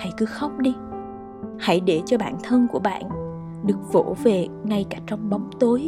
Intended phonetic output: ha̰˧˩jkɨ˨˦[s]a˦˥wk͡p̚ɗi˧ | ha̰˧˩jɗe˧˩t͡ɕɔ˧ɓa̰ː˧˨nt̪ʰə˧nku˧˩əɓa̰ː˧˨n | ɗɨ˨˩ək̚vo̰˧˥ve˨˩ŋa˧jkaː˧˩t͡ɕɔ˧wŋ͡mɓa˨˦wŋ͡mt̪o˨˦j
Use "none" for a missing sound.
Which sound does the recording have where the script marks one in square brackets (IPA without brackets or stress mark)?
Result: x